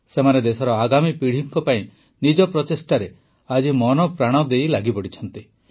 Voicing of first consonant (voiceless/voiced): voiceless